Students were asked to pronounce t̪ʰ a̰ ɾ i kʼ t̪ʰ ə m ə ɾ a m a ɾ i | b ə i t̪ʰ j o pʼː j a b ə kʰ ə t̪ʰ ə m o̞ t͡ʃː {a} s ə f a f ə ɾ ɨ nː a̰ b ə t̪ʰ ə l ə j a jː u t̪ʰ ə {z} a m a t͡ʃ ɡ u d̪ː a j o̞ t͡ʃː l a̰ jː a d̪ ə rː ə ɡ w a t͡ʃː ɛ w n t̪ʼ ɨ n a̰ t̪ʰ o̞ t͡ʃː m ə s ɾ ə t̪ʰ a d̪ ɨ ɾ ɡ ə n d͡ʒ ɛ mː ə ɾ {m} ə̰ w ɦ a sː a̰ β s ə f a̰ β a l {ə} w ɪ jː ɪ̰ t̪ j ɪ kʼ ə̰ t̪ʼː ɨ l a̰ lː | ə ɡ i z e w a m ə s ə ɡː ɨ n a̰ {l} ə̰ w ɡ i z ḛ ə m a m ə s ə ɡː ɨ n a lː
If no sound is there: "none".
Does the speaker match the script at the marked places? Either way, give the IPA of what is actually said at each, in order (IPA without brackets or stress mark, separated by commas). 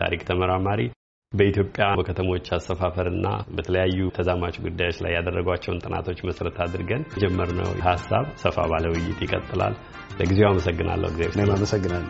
a, z, n, ə, lː